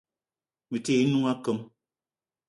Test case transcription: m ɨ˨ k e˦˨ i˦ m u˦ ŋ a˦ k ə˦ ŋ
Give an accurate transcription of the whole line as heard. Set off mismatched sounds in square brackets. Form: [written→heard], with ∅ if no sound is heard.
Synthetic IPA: m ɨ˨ [k→t] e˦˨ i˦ [m→n] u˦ ŋ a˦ k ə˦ [ŋ→m]